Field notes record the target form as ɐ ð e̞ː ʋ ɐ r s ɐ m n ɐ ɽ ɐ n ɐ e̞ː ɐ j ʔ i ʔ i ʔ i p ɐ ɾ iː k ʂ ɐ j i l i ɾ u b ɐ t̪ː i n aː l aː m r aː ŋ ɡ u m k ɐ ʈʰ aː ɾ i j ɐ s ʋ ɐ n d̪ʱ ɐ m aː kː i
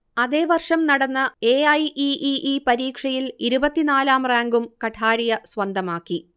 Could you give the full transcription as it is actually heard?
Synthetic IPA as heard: ɐ ð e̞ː ʋ ɐ r ʂ ɐ m n ɐ ɽ ɐ nː ɐ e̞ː ɐ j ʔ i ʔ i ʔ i p ɐ ɾ iː k ʂ ɐ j i l i ɾ u b ɐ t̪ː i n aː l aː m r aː ŋ ɡ u m k ɐ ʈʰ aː ɾ i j ɐ s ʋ ɐ n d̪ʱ ɐ m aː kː i